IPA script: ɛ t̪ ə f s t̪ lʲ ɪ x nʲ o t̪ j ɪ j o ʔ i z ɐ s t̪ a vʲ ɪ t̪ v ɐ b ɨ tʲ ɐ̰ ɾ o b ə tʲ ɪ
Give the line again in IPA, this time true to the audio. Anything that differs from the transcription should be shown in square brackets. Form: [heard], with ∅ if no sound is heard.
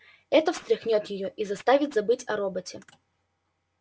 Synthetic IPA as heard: ɛ t̪ ə f s t̪ [ɾʲ] ɪ x nʲ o t̪ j ɪ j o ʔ i z ɐ s t̪ a vʲ ɪ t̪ [z] ɐ b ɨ tʲ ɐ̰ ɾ o b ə tʲ ɪ